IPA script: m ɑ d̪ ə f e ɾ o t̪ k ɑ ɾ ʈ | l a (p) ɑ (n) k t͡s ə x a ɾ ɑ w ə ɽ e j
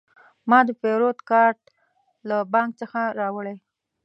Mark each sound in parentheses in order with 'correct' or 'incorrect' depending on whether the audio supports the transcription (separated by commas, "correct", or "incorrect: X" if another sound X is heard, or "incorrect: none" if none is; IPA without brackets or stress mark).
incorrect: b, incorrect: ŋ